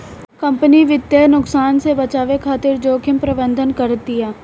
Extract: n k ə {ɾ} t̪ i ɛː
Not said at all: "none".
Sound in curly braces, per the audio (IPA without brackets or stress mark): ɾ